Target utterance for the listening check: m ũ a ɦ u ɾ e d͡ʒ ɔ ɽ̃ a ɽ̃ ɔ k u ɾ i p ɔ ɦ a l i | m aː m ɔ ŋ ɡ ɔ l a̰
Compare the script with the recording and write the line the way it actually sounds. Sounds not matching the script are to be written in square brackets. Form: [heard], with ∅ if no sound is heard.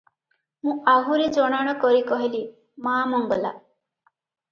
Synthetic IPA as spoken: m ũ a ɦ u ɾ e d͡ʒ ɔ ɽ̃ a ɽ̃ ɔ k [ɔ] ɾ i [k] ɔ ɦ [i] l i | m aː m ɔ ŋ ɡ ɔ l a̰